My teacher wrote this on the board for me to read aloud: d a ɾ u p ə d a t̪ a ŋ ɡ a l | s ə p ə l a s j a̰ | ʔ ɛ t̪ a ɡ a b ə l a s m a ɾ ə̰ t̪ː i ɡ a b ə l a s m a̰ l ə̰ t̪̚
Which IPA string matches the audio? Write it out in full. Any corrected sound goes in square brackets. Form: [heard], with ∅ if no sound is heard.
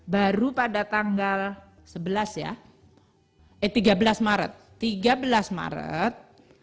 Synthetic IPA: [b] a ɾ u p [a] d a t̪ a ŋ ɡ a l | s ə [b] ə l a s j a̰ | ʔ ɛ t̪ [i] ɡ a b ə l a s m a ɾ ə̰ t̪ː i ɡ a b ə l a s m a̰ [ɾ] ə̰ t̪̚